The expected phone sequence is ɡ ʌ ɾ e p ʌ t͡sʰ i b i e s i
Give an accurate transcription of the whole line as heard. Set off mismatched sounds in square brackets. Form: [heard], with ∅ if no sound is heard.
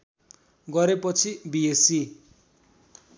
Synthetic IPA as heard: ɡ ʌ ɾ e p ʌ t͡sʰ i b i e s i